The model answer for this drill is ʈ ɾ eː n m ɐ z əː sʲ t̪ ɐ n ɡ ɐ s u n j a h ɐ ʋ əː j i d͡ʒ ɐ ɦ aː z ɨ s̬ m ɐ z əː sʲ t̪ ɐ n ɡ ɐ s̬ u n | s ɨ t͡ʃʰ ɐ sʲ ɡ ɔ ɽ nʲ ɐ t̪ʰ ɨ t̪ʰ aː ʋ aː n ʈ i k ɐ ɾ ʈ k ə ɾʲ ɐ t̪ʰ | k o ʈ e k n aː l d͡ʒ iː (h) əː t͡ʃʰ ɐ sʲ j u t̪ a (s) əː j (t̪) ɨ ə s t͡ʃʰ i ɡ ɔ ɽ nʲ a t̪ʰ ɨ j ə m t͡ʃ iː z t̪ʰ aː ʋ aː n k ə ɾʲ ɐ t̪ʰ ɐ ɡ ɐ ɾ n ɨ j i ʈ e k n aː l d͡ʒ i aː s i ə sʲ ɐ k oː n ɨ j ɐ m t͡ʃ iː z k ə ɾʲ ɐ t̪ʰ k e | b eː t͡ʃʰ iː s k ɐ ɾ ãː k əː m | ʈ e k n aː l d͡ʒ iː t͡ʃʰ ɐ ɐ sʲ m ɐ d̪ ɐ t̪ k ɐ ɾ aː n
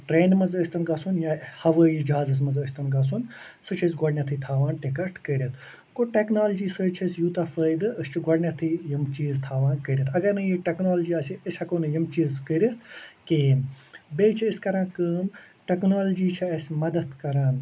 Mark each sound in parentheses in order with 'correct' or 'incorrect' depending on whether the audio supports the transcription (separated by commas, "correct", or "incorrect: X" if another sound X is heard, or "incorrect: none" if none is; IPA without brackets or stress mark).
incorrect: s, incorrect: f, incorrect: d̪